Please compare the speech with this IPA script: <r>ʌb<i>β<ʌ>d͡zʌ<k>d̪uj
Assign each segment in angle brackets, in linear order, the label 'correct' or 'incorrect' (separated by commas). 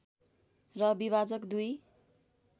correct, correct, incorrect, correct